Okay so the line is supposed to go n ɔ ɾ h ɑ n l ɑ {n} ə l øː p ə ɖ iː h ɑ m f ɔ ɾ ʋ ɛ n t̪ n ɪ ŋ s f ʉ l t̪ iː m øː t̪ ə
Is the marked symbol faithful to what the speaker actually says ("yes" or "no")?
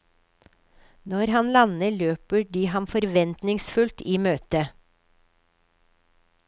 yes